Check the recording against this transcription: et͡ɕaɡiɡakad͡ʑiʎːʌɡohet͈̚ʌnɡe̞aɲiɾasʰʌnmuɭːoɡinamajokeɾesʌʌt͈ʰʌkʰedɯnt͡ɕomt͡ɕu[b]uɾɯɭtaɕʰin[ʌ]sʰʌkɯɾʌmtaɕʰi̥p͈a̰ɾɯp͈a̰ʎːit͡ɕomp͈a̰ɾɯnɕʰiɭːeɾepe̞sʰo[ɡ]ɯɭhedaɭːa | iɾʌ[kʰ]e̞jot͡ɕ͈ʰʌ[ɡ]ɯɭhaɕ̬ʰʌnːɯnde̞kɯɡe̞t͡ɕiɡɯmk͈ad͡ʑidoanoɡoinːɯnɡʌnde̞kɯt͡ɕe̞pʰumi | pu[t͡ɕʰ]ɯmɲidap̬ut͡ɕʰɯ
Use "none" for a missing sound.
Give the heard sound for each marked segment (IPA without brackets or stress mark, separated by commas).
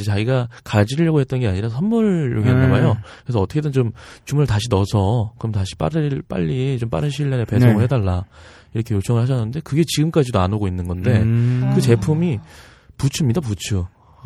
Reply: m, ʌ, ŋ, kʰ, ŋ, t͡ɕʰ